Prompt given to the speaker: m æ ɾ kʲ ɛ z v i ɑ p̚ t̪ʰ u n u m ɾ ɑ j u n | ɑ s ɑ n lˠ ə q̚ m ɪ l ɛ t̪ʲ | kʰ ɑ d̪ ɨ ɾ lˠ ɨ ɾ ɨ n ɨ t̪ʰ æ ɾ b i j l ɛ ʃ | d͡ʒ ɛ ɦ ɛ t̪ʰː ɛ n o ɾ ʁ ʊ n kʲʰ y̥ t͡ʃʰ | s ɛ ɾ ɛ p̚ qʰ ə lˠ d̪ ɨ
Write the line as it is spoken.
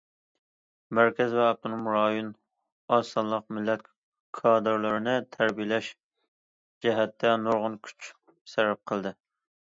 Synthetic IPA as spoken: m æ ɾ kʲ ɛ z v ɛ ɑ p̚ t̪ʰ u n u m ɾ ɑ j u n | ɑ s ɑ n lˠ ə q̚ m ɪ l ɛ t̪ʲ | kʰ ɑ d̪ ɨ ɾ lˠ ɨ ɾ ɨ n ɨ t̪ʰ æ ɾ b i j l ɛ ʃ | d͡ʒ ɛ ɦ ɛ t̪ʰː ɛ n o ɾ ʁ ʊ n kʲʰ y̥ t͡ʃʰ | s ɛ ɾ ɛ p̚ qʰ ə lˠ d̪ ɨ

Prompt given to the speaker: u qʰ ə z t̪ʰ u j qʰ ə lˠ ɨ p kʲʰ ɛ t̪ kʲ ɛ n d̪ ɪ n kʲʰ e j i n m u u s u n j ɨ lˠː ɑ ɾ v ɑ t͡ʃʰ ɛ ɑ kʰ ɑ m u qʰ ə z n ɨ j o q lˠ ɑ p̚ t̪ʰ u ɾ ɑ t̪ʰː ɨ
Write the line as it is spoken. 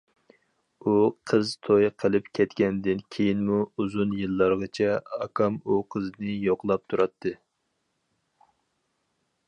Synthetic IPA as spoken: u qʰ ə z t̪ʰ o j qʰ ə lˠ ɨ p kʲʰ ɛ t̪ kʲ ɛ n d̪ ɪ n kʲʰ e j i n m u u z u n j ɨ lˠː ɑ ɾ ʁ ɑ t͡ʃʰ ɛ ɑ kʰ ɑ m u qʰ ə z n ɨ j o q lˠ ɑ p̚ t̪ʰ u ɾ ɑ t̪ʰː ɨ

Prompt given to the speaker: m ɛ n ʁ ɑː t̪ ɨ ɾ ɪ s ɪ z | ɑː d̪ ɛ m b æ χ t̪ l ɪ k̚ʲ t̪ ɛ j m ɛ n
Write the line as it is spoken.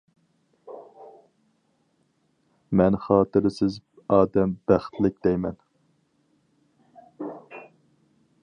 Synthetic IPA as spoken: m ɛ n χ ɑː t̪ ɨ ɾ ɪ s ɪ z | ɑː d̪ ɛ m b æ χ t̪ l ɪ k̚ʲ d̪ ɛ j m ɛ n

